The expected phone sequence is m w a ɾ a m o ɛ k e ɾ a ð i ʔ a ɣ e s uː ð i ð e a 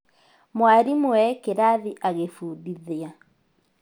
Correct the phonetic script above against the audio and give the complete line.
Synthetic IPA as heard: m w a ɾ i m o ɛ k e ɾ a ð i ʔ a ɣ e f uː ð i ð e a